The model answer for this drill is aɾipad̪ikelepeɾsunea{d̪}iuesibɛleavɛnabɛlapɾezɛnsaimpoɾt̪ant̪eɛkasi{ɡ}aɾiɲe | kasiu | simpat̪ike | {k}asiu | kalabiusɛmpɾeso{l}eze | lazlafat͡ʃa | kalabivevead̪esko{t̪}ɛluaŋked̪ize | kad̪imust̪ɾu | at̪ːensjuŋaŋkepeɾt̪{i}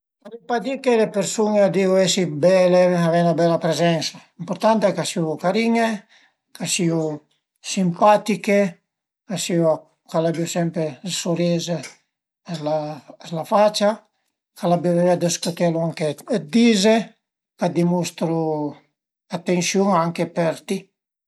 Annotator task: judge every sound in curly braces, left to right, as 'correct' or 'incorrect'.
correct, incorrect: k, correct, incorrect: ɾ, correct, correct

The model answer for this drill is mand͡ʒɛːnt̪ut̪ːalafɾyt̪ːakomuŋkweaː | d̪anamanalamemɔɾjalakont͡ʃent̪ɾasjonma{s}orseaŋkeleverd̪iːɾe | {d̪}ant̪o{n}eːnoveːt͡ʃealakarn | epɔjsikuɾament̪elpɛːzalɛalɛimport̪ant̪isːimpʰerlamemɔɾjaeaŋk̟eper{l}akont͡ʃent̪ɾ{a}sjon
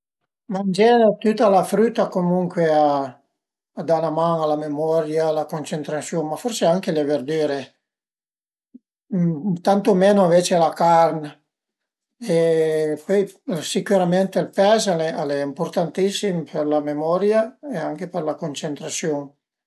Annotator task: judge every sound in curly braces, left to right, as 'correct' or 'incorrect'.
incorrect: f, incorrect: t̪, incorrect: m, correct, correct

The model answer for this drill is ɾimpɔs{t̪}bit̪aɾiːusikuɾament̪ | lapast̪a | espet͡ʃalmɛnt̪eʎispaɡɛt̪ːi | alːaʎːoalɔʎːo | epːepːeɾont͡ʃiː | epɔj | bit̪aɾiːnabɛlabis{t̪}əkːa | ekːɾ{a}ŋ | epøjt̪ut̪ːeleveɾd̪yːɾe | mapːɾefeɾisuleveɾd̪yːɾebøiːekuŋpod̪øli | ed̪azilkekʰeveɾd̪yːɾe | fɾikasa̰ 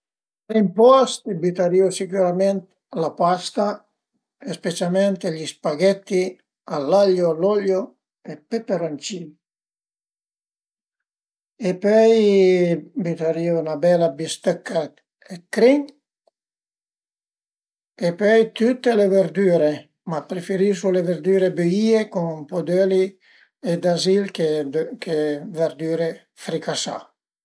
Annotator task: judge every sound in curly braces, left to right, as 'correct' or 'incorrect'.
correct, correct, incorrect: i

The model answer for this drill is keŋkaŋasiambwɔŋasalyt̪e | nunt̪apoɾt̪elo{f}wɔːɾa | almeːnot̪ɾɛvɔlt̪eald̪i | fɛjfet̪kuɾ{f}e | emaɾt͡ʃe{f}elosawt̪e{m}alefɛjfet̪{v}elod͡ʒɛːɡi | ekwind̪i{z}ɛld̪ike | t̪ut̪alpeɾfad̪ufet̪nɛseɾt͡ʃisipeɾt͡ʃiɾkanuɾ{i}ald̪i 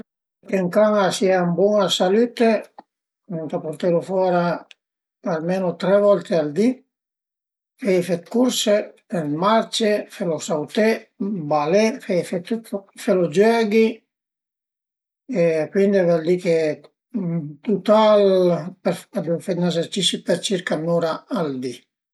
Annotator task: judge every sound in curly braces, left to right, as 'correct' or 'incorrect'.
correct, incorrect: s, correct, incorrect: b, incorrect: f, incorrect: v, incorrect: a

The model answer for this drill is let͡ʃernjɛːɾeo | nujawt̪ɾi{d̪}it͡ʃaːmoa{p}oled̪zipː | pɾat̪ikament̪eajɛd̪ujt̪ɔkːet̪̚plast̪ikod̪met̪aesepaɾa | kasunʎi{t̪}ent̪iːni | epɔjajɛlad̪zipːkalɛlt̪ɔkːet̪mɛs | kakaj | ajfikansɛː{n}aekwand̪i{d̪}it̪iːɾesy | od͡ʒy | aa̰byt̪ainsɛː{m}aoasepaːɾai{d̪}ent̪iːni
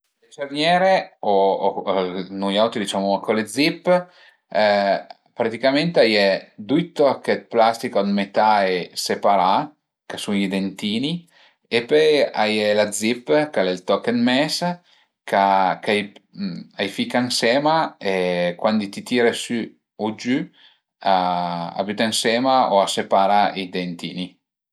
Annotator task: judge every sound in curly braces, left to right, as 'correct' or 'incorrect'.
correct, incorrect: k, incorrect: d̪, incorrect: m, incorrect: t̪, correct, correct

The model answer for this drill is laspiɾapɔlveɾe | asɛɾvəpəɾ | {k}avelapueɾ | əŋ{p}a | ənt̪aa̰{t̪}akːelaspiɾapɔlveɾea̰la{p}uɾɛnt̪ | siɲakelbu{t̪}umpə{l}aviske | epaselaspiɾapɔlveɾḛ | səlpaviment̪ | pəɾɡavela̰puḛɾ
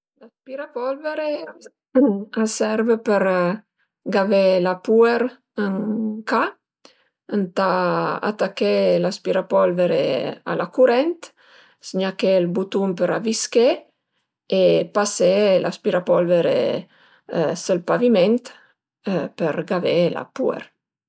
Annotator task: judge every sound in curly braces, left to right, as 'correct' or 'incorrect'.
incorrect: ɡ, incorrect: k, correct, incorrect: k, correct, incorrect: ɾ

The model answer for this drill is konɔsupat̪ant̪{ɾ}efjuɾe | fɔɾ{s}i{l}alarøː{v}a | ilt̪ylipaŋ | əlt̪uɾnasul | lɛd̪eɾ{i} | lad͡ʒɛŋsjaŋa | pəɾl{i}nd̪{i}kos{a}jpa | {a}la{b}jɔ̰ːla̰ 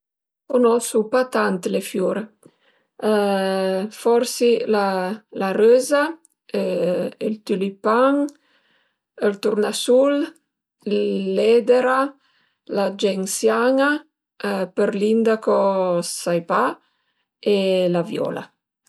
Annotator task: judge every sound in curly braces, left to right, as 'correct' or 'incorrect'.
incorrect: l, correct, correct, incorrect: z, incorrect: a, correct, incorrect: a, correct, incorrect: e, incorrect: v

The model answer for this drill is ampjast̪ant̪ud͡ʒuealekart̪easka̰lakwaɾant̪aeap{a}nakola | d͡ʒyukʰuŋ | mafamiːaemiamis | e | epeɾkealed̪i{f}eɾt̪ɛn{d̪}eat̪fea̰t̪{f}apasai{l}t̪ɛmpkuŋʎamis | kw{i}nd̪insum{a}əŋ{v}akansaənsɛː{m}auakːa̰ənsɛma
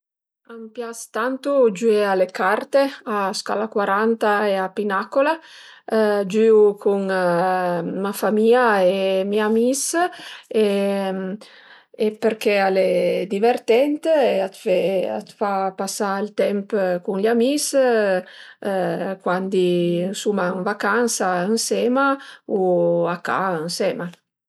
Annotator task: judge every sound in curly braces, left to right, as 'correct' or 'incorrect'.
incorrect: i, incorrect: v, incorrect: t̪, correct, correct, incorrect: a, correct, correct, correct

